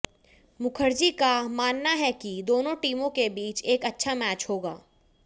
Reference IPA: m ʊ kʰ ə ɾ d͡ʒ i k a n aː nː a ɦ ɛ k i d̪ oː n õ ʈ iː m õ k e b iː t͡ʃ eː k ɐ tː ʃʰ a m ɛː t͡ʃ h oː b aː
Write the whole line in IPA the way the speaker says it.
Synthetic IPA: m ʊ kʰ ə ɾ d͡ʒ i k a m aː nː a ɦ ɛ k i d̪ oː n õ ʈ iː m õ k e b iː t͡ʃ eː k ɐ tː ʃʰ a m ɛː t͡ʃ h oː ɡ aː